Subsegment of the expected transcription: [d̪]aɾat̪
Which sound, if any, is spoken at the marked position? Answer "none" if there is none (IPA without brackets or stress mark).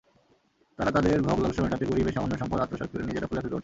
t̪